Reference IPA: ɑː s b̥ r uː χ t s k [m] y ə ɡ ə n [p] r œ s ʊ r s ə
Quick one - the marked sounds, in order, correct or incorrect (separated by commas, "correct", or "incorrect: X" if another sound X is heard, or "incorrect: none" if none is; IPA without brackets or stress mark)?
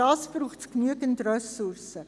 incorrect: n, incorrect: t